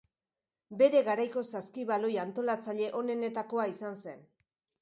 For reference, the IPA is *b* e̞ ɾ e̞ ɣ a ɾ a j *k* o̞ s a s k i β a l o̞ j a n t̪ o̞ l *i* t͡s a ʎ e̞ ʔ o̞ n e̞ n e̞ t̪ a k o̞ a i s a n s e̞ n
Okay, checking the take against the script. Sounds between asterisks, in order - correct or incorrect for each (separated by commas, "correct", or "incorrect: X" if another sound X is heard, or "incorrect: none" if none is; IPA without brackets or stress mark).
correct, correct, incorrect: a